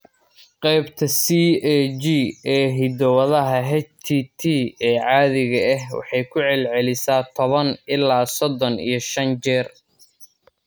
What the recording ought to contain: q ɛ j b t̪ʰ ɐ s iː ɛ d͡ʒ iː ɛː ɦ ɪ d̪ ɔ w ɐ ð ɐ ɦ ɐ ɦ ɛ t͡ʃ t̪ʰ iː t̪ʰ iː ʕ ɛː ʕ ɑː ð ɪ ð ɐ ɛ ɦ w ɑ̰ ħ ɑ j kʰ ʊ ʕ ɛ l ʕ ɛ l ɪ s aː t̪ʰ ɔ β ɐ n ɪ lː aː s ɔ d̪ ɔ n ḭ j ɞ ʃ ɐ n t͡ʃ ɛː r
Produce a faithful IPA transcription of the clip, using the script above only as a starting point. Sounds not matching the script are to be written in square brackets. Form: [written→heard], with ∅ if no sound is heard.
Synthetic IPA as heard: q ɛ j b t̪ʰ ɐ s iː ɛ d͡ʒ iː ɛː ɦ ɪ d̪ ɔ w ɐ ð ɐ ɦ ɐ ɦ ɛ t͡ʃ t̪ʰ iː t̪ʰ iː [ʕ→∅] ɛː ʕ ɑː ð ɪ [ð→ɣ] ɐ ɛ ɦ w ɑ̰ ħ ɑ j kʰ ʊ ʕ ɛ l ʕ ɛ l ɪ s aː t̪ʰ ɔ β ɐ n ɪ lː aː s ɔ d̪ ɔ n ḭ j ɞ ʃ ɐ n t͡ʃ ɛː r